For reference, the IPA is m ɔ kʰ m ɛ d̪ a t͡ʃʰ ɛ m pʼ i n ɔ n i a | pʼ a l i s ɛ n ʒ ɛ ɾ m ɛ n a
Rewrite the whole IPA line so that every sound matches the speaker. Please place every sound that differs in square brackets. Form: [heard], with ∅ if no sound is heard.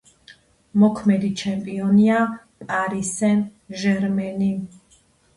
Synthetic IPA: m ɔ kʰ m ɛ d̪ [i] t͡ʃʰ ɛ m pʼ i [∅] ɔ n i a | pʼ a [ɾ] i s ɛ n ʒ ɛ ɾ m ɛ n [i]